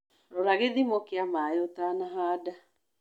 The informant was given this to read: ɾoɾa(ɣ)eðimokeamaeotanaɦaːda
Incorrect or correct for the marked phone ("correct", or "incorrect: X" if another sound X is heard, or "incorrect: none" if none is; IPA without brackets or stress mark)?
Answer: correct